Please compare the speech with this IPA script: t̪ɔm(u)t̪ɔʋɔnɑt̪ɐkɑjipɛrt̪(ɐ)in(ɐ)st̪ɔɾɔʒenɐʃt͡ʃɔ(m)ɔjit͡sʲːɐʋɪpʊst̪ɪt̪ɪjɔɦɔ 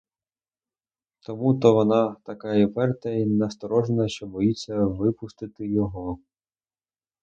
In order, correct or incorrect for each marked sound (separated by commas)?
correct, correct, correct, incorrect